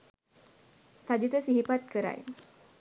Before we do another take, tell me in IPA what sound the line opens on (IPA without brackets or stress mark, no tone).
s